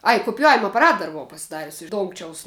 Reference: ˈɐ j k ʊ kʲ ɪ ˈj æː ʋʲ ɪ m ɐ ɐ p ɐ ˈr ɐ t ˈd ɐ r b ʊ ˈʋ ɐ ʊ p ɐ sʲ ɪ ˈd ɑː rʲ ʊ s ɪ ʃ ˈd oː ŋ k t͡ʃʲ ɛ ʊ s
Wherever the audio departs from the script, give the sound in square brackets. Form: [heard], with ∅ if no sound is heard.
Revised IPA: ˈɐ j k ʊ [pʲ] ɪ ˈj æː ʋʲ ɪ m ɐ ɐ p ɐ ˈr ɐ t ˈd ɐ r b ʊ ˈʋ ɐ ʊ p ɐ sʲ ɪ ˈd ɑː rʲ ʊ s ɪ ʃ ˈd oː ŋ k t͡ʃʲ ɛ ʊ s